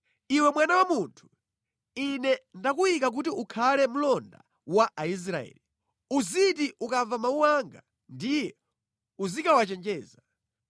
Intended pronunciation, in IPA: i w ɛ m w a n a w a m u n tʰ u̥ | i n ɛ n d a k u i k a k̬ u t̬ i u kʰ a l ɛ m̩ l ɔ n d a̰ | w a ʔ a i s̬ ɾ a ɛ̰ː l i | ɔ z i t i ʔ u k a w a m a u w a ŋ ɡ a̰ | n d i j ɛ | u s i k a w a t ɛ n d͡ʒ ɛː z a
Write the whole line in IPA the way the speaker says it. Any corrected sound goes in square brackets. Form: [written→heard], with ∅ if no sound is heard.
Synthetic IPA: i w ɛ m w a n a w a m u n tʰ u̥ | i n ɛ n d a k u i k a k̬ u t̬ i u kʰ a l ɛ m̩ l ɔ n d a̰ | w a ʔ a i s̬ ɾ a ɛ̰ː l i | [ɔ→u] z i t i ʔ u k a [w→v] a m a u w a ŋ ɡ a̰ | n d i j ɛ | u [s→z] i k a w a [t→t͡ʃ] ɛ n d͡ʒ ɛː z a